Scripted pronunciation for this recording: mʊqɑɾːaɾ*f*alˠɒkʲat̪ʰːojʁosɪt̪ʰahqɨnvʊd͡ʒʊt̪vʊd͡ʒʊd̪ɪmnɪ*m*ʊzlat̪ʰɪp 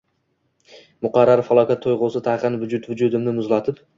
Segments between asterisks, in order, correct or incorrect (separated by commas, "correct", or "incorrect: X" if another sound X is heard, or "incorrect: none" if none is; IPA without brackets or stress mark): correct, correct